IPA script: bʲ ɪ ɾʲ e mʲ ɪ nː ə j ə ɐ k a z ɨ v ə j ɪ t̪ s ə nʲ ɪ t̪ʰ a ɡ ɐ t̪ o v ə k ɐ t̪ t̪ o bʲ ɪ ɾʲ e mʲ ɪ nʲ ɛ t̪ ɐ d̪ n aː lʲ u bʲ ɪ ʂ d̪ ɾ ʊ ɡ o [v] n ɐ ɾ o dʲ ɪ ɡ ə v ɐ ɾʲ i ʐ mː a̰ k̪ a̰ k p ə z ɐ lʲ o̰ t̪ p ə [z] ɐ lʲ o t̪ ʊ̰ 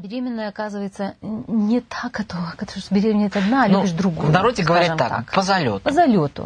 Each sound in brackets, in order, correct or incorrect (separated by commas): correct, correct